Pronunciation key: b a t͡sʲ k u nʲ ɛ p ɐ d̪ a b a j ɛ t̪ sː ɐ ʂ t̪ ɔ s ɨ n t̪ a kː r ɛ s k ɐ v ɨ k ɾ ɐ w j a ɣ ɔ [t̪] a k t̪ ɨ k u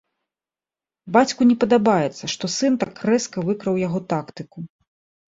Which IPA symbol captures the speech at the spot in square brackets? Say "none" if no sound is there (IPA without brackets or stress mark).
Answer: t̪